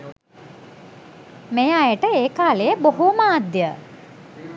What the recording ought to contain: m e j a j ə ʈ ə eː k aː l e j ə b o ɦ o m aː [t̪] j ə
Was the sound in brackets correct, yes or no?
no